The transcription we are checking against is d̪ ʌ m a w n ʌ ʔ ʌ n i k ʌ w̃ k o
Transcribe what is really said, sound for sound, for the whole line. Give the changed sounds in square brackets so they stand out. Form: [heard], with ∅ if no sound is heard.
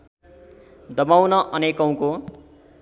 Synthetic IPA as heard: d̪ ʌ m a w n ʌ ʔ ʌ n [e] k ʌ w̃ k o